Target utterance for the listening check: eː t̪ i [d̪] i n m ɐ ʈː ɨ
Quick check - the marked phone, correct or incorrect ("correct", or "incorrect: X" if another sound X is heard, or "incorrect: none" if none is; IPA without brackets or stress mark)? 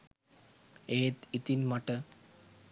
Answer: incorrect: t̪